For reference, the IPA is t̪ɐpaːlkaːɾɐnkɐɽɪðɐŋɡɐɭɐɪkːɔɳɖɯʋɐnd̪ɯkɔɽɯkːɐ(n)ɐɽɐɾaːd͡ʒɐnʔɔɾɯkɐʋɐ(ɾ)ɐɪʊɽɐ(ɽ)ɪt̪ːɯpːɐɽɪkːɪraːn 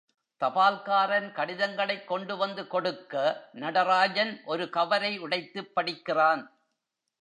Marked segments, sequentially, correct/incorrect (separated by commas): correct, correct, incorrect